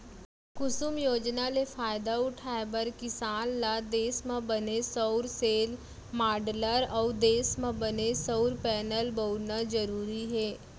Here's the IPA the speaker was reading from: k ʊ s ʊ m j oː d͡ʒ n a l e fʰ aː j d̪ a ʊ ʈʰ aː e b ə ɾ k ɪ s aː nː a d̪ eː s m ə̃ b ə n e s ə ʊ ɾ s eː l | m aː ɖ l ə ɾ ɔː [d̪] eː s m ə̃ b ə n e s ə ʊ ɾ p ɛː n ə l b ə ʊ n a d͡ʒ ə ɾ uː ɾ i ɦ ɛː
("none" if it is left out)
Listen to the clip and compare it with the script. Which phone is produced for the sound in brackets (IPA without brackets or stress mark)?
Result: d̪